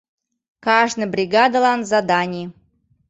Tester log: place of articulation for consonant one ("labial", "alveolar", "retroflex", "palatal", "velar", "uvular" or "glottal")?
velar